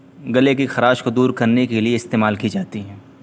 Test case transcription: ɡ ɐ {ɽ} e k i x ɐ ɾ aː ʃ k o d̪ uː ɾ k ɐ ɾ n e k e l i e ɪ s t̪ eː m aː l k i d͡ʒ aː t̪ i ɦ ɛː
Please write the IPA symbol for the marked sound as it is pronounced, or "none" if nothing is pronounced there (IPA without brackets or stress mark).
l